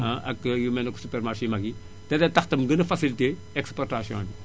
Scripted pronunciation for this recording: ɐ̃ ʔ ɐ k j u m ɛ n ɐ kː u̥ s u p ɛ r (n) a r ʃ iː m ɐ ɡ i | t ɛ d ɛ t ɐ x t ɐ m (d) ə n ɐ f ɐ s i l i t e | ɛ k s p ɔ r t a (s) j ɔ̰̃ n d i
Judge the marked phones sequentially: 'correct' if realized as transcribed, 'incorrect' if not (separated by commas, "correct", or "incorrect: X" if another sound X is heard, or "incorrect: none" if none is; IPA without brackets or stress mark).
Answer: incorrect: m, incorrect: ɡ, correct